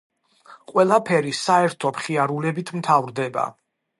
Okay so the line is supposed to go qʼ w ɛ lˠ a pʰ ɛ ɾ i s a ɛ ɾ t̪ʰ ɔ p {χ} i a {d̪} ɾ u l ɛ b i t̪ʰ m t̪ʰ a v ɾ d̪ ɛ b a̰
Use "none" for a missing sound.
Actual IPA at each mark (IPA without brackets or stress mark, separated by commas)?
χ, none